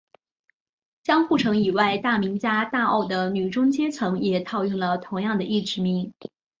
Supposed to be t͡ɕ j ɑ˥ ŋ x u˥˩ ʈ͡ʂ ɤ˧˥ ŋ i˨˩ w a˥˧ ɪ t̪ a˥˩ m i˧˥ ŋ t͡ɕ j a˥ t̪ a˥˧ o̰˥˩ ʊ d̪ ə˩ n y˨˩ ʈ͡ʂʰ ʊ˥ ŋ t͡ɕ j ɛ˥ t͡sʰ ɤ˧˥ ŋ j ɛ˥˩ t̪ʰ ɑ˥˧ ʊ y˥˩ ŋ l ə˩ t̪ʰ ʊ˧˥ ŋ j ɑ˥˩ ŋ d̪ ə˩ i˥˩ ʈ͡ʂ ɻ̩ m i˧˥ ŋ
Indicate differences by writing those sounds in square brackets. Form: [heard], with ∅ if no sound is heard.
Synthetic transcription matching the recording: t͡ɕ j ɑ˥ ŋ x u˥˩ [ʈ͡ʂʰ] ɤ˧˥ ŋ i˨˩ w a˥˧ ɪ t̪ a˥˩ m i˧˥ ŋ t͡ɕ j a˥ t̪ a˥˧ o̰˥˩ ʊ d̪ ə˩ n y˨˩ [ʈ͡ʂ] ʊ˥ ŋ t͡ɕ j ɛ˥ t͡sʰ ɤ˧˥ ŋ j [ɛ˨˩] t̪ʰ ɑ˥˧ ʊ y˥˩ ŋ l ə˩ t̪ʰ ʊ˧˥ ŋ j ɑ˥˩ ŋ d̪ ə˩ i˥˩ ʈ͡ʂ ɻ̩ m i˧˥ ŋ